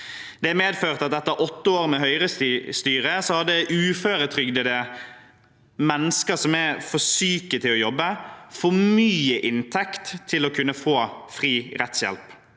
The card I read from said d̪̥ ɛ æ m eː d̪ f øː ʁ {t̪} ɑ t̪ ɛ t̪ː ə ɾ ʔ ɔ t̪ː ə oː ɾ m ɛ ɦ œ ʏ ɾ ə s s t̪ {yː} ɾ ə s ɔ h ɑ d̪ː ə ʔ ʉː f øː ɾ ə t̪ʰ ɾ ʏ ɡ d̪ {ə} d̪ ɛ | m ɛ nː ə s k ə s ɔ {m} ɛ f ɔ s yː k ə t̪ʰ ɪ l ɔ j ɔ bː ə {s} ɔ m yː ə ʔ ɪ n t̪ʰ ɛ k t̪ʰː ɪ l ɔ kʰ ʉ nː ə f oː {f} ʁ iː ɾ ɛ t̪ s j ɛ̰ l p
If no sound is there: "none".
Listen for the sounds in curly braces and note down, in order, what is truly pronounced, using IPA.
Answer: t̪, yː, ə, m, f, f

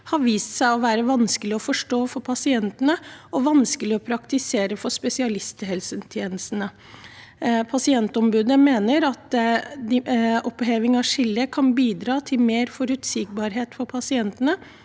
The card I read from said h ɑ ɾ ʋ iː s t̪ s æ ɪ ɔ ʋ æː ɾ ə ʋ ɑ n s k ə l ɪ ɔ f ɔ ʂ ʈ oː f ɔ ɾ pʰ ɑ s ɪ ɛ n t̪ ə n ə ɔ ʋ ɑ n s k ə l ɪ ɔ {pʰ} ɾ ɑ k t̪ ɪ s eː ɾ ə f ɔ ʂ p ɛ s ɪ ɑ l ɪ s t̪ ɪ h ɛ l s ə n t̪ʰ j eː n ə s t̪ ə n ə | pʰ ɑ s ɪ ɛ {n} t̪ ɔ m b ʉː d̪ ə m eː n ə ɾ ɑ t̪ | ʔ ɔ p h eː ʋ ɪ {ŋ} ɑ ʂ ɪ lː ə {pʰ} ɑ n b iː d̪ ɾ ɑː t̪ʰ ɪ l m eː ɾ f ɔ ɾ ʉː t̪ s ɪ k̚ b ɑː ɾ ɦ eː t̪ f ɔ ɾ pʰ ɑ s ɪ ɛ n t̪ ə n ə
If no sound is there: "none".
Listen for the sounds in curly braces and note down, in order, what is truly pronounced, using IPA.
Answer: pʰ, n, ŋ, kʰ

